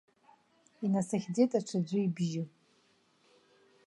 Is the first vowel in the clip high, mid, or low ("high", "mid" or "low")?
high